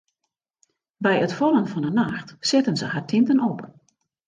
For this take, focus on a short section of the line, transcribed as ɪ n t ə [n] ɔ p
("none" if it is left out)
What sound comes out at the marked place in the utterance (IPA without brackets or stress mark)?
n